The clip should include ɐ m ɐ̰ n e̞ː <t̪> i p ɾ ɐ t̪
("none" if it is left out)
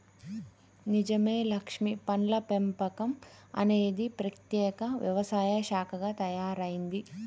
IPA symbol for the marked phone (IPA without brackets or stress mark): d̪